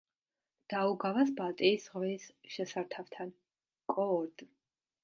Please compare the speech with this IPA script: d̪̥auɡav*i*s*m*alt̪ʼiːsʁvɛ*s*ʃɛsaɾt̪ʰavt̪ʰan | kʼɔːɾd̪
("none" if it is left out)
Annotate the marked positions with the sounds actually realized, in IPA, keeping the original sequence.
a, b, s

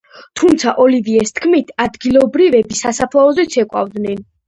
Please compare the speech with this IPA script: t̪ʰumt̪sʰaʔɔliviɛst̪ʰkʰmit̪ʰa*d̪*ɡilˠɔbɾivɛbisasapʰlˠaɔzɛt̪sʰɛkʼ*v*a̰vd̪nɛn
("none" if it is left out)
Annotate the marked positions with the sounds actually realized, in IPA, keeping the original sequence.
d̪, w

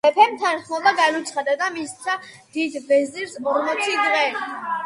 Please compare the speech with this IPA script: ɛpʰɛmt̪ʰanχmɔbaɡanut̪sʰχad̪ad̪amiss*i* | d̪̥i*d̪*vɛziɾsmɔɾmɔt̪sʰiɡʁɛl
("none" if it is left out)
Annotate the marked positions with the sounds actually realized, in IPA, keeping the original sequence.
a, d̪

